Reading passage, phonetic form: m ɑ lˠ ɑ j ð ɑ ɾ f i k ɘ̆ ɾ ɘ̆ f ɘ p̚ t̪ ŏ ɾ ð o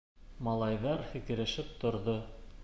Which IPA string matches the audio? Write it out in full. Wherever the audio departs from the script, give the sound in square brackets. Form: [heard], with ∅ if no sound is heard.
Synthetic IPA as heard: m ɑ lˠ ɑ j ð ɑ ɾ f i k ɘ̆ ɾ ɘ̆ [ʃ] ɘ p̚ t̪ ŏ ɾ ð o